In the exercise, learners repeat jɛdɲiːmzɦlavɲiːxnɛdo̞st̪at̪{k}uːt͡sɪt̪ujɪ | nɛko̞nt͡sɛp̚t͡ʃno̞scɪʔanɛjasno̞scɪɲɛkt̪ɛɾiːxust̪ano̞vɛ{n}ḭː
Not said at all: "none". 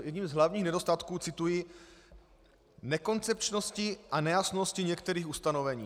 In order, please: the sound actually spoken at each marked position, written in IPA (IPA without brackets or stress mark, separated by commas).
k, ɲ